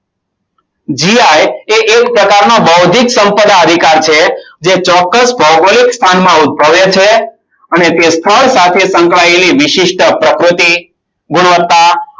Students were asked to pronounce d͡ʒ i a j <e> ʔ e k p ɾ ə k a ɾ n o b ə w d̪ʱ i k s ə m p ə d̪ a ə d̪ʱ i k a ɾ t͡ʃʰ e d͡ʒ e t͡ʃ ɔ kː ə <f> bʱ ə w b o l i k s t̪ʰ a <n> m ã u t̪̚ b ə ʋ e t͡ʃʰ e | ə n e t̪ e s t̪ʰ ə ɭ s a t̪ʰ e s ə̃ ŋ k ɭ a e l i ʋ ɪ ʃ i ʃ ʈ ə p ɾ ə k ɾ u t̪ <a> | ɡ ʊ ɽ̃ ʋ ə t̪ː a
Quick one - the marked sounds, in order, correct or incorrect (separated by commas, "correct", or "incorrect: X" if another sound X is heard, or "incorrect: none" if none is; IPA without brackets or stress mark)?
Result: correct, incorrect: s, correct, incorrect: i